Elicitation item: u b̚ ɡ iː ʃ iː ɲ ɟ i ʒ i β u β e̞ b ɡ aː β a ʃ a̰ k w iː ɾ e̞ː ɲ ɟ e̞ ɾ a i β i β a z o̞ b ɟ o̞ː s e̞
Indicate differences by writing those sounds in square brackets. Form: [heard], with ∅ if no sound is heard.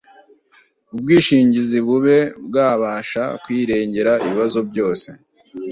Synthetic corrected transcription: u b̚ ɡ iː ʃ iː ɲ ɟ i [z] i β u β e̞ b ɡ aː β a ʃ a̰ k w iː ɾ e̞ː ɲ ɟ e̞ ɾ a i β i β a z o̞ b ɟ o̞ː s e̞